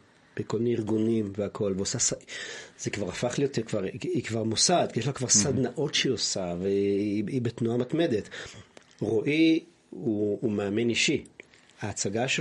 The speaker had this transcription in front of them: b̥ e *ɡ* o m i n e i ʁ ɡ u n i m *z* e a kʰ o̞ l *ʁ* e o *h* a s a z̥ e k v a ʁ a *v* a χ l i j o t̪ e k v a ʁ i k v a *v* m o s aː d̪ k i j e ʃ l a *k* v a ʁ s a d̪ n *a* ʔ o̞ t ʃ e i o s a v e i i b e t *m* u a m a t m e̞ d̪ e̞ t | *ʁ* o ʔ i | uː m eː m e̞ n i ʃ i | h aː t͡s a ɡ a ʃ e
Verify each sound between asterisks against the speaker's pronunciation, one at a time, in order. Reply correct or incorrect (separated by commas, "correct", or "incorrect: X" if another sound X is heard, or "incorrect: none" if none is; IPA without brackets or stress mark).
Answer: incorrect: k, incorrect: v, incorrect: v, incorrect: s, incorrect: f, incorrect: ʁ, correct, correct, incorrect: n, correct